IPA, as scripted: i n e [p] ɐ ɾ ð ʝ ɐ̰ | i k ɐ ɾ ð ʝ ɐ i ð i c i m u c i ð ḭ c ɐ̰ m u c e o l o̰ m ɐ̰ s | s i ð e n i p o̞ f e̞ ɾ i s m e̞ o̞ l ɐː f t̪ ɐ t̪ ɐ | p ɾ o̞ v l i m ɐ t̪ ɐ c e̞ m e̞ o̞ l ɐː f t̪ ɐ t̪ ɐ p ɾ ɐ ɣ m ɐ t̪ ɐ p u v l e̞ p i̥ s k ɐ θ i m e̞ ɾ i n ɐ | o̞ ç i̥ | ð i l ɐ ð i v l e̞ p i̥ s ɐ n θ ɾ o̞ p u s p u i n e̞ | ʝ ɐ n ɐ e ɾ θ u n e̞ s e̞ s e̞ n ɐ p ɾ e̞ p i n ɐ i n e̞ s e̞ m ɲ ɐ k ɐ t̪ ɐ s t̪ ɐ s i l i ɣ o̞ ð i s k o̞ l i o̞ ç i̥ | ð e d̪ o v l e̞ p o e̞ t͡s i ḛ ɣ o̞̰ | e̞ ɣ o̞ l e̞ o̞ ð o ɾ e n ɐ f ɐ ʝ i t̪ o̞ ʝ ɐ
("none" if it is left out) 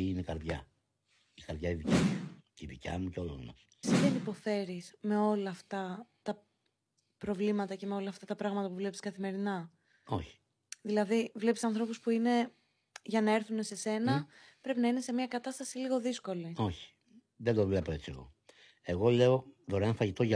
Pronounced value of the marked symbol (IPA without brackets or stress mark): k